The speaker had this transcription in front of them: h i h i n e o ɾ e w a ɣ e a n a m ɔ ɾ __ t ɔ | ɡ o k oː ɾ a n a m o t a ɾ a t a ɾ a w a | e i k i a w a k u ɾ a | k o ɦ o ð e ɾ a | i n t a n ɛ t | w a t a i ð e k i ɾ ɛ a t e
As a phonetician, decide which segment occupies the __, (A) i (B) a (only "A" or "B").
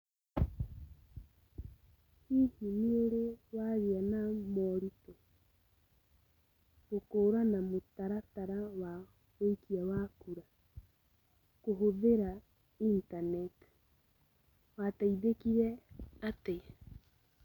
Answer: A